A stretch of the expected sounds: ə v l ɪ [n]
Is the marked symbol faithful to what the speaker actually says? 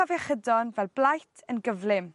no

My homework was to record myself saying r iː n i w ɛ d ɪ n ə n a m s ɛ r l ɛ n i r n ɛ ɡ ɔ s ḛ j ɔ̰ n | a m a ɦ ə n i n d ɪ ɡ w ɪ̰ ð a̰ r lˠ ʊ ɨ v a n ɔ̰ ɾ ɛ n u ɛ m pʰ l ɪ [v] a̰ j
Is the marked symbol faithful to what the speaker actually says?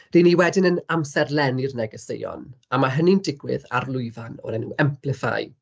no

